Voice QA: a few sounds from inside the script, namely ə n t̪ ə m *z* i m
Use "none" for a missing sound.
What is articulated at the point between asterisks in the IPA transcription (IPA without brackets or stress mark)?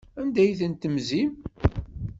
z